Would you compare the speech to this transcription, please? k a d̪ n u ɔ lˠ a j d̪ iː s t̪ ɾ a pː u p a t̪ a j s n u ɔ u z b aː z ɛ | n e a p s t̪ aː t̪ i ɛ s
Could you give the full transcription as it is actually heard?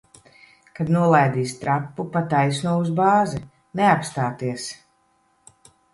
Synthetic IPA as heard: k a d̪ n u ɔ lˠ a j d̪ iː s t̪ ɾ a pː u p a t̪ a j s n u ɔ u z b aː z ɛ | n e a p s t̪ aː t̪ i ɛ s